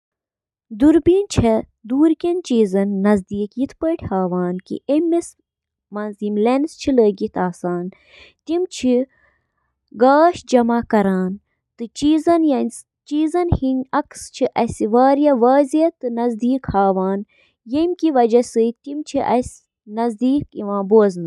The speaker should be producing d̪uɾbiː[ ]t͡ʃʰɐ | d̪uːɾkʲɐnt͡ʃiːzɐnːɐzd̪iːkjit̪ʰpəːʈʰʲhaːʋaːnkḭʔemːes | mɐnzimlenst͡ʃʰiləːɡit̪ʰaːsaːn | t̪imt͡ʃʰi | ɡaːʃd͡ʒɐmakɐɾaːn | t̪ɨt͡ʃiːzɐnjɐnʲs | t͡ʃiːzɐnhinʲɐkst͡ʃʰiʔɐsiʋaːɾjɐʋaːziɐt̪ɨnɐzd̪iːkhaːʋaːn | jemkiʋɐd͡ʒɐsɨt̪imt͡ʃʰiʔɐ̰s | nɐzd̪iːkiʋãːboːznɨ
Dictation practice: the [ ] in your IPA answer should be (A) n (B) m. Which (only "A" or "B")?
A